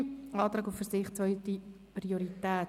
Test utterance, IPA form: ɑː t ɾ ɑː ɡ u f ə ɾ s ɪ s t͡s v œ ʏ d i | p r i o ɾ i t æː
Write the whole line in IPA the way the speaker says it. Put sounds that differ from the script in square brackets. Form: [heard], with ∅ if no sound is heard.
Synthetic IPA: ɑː t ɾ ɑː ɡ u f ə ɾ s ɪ [χ] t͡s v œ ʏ [t] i | p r i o ɾ i t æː